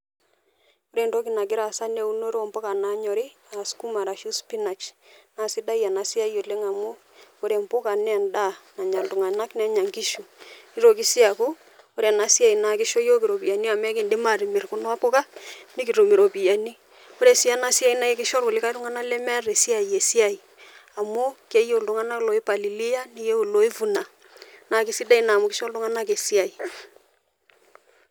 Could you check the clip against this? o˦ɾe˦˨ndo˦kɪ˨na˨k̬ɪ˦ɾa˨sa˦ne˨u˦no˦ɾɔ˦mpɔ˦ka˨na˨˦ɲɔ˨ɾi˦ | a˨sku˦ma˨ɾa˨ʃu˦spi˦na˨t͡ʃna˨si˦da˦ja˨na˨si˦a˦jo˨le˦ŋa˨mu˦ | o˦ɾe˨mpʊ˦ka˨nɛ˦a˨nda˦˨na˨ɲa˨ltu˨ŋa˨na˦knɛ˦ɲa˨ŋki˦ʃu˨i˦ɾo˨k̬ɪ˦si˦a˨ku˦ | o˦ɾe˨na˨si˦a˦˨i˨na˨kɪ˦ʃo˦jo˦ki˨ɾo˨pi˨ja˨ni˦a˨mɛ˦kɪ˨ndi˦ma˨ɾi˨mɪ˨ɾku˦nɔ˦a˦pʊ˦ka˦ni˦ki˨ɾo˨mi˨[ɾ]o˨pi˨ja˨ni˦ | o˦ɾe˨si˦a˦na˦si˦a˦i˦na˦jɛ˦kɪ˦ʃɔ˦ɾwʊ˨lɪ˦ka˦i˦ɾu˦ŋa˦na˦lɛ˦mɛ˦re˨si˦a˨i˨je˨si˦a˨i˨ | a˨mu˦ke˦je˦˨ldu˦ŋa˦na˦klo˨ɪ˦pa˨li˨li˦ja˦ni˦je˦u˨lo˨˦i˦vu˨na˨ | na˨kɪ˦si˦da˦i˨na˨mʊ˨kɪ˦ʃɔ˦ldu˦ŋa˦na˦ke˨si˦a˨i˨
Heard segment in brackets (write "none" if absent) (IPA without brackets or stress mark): ɾ